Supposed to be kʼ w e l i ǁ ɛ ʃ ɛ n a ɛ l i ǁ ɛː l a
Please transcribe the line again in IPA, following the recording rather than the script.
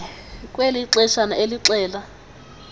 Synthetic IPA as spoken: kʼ w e l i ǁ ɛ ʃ a n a e l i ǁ ɛː l a